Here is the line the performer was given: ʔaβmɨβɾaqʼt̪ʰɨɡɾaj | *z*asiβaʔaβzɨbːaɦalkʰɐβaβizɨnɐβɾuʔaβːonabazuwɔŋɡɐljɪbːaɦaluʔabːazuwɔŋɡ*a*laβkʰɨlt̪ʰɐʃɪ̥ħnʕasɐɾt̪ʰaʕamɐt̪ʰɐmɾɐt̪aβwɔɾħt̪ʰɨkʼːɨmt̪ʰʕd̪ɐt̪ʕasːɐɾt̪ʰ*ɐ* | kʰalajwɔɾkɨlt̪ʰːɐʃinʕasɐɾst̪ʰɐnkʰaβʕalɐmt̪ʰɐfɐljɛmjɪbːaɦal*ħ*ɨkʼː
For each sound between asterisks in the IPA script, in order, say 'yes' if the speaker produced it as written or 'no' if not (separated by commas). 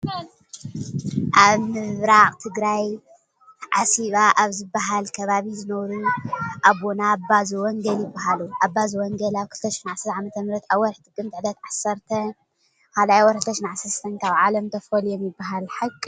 no, no, yes, yes